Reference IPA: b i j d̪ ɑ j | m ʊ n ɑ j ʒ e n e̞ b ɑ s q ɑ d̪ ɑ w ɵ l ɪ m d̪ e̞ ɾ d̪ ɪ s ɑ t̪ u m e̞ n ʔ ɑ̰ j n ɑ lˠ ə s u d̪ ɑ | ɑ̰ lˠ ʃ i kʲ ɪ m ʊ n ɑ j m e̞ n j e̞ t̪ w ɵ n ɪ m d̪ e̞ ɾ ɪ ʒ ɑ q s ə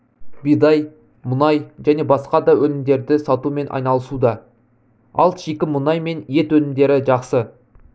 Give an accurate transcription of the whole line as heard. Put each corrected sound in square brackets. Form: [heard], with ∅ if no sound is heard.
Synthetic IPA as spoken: b i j d̪ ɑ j | m ʊ n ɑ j ʒ [æ] n e̞ b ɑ s q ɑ d̪ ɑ w ɵ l ɪ m d̪ e̞ ɾ d̪ ɪ s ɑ t̪ u m e̞ n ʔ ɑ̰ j n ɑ lˠ ə s u d̪ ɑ | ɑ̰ lˠ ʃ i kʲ ɪ m ʊ n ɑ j m e̞ n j e̞ t̪ w ɵ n ɪ m d̪ e̞ ɾ ɪ ʒ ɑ q s ə